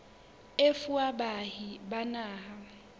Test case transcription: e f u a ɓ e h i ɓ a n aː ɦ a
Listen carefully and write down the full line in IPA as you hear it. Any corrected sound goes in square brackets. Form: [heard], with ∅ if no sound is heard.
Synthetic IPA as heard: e f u a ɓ [a] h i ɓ a n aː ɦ a